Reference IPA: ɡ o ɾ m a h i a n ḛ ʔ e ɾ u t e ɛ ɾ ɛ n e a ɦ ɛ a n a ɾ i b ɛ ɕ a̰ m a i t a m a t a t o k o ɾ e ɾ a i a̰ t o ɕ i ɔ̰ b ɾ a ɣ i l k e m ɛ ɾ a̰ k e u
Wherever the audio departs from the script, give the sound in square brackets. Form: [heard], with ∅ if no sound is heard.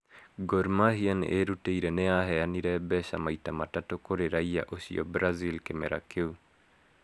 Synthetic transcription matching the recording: ɡ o ɾ m a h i a n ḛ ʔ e ɾ u t e [i] ɾ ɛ n e a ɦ ɛ a n [i] ɾ [ɛ] b ɛ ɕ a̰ m a i t a m a t a t o k o ɾ e ɾ a i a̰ [ʔ] o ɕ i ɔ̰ b ɾ a [z] i l k e m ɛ ɾ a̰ k e u